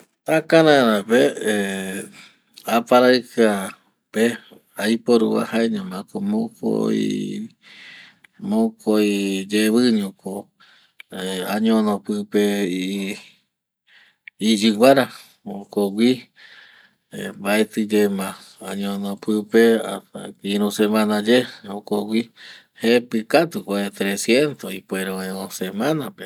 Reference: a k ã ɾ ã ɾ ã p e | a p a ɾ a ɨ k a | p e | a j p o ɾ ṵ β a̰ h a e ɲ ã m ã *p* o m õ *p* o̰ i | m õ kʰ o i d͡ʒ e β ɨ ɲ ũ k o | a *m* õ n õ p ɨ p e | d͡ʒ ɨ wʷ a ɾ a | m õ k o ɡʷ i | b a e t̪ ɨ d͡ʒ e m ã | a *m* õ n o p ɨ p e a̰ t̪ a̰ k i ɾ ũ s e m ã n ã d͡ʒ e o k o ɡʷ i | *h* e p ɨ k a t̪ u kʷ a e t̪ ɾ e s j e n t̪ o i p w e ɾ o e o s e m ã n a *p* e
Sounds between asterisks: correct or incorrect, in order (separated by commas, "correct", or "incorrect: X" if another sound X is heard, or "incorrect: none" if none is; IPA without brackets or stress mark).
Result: incorrect: k, incorrect: k, incorrect: ɲ, incorrect: ɲ, correct, correct